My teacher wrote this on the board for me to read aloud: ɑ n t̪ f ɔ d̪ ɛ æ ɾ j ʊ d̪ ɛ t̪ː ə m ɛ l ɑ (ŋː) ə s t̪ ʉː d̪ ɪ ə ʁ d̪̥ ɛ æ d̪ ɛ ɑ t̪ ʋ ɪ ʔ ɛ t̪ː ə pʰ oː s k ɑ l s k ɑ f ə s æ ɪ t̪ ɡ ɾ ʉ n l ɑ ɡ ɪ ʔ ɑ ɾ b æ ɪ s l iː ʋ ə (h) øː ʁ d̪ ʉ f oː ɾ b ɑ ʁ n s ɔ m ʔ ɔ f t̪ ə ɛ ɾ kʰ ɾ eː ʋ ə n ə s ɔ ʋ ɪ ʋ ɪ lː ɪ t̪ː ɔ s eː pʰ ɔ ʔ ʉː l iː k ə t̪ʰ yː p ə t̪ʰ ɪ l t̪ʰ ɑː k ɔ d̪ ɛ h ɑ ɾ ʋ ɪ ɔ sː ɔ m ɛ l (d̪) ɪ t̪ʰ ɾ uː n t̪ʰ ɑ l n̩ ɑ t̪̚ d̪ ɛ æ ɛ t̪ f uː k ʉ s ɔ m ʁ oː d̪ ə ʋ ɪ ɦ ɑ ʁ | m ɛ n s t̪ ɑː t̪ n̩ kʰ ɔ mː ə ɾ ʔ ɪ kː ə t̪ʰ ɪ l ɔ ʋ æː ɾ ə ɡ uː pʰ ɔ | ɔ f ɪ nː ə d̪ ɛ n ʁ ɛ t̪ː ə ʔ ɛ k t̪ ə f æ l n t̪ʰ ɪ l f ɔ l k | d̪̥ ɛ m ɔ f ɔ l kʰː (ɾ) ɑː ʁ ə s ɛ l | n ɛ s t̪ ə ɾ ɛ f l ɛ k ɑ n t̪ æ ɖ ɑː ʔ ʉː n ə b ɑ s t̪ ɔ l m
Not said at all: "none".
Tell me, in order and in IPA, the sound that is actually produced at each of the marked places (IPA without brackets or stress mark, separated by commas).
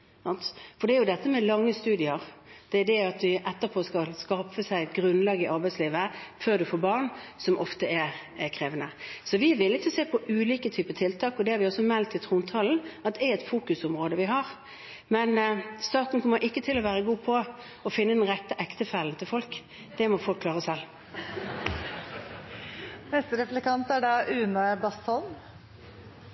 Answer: ŋː, f, t̪, l